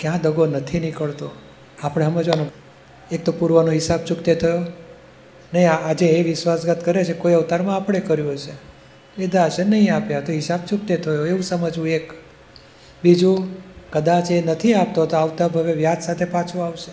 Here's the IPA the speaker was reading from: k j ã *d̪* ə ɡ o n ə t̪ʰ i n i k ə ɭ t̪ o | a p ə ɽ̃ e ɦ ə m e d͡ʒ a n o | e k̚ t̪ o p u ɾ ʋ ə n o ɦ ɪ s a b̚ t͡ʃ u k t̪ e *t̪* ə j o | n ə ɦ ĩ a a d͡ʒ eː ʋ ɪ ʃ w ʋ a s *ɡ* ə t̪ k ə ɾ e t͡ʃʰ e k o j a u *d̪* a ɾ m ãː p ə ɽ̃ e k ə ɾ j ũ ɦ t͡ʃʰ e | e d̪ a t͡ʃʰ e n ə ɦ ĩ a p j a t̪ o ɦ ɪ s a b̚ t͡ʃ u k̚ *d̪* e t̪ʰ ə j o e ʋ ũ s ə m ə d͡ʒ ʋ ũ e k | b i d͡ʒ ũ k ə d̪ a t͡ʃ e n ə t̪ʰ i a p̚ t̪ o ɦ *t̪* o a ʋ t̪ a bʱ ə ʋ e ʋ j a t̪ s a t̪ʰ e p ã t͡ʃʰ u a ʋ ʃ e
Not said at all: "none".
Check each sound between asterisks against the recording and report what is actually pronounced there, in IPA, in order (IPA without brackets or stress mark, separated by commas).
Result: d̪, t̪ʰ, ɡ, t̪, t̪, t̪